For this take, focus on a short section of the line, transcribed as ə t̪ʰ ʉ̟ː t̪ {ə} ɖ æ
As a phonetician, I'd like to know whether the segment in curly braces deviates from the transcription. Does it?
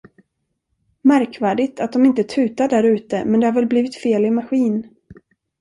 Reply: yes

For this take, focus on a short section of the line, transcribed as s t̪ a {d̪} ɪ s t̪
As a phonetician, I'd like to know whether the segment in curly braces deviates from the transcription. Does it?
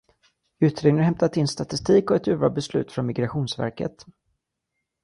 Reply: yes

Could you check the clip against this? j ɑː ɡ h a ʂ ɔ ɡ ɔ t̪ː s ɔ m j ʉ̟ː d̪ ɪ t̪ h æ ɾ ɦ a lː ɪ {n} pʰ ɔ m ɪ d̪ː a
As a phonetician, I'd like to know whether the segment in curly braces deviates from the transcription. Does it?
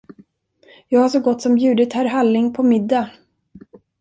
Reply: yes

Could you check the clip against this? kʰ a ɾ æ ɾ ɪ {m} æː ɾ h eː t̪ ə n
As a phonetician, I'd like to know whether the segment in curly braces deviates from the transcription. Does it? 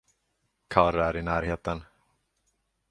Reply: yes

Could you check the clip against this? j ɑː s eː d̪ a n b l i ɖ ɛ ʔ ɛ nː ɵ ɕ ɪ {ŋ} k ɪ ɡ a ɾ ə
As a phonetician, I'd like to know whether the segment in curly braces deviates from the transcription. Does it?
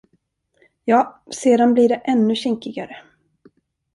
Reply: no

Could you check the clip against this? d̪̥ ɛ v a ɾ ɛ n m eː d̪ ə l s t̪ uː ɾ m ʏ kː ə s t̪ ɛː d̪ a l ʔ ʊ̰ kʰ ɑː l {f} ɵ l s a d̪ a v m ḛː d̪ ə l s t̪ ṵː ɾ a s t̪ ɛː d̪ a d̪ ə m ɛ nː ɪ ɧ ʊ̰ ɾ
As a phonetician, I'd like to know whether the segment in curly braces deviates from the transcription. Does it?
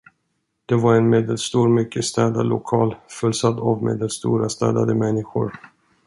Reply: no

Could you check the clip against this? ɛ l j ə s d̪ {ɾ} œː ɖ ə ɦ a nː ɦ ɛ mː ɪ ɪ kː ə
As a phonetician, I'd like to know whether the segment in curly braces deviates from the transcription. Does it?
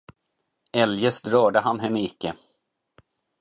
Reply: no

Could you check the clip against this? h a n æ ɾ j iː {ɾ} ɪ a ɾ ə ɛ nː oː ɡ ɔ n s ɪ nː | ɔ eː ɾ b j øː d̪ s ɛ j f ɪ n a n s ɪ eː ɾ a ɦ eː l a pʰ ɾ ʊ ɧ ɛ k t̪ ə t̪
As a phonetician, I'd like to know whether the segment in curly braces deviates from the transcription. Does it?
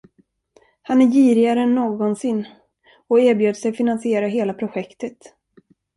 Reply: no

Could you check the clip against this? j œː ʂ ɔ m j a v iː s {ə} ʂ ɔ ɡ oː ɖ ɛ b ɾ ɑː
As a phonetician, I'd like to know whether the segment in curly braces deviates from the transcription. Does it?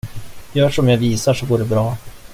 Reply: yes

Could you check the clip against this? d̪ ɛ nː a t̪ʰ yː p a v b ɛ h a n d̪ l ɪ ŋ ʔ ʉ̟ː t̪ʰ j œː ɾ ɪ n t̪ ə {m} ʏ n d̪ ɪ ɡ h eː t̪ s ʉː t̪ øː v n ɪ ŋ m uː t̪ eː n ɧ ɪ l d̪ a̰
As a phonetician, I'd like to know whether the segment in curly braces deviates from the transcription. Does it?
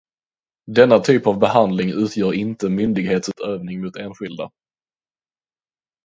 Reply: no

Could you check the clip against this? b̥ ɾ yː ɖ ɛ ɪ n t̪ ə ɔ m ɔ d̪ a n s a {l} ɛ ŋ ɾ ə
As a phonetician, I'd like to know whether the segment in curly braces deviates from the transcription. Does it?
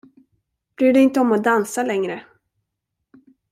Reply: no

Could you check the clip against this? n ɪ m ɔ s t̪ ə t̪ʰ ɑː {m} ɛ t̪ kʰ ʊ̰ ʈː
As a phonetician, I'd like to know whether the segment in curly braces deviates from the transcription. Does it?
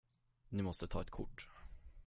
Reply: yes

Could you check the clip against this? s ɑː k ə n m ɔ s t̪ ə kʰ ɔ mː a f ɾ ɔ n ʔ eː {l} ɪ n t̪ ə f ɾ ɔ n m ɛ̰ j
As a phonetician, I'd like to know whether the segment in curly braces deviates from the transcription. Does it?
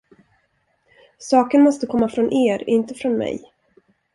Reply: yes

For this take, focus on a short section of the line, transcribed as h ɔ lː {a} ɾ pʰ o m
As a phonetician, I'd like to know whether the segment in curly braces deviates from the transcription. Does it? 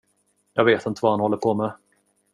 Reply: yes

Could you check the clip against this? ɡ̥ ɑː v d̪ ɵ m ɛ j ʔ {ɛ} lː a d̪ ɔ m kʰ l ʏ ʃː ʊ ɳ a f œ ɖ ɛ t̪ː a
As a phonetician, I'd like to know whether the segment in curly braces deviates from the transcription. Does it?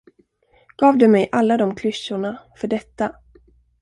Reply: yes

